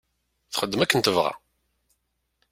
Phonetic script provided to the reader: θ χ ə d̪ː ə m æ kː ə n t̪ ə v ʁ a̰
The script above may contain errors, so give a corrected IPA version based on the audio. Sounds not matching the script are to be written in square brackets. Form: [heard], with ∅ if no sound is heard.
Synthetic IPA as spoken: θ χ ə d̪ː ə m æ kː ə n t̪ ə v ʁ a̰